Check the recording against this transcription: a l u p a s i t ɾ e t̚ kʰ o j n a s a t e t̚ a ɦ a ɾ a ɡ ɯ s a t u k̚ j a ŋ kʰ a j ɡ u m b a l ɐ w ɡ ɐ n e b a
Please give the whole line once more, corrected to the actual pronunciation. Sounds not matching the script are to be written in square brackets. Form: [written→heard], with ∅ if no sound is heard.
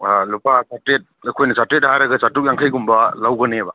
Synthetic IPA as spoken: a l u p a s [i→a] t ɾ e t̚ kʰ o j n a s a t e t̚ a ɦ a ɾ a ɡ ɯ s a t u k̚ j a ŋ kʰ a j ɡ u m b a l [ɐ→a] w ɡ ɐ n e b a